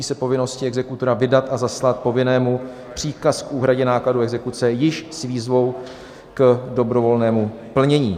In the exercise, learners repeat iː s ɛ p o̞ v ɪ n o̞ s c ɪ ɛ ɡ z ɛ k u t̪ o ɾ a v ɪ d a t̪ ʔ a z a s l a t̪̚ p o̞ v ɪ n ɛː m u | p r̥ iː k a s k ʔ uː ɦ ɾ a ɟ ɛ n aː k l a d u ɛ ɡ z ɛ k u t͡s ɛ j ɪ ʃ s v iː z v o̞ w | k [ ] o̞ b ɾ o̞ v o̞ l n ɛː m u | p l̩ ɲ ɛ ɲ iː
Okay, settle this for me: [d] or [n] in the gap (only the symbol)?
d